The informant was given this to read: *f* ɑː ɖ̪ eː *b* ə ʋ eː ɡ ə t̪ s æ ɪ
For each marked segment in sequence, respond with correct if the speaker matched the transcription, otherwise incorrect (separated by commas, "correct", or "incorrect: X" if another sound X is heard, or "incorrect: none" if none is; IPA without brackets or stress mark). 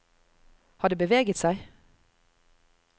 incorrect: h, correct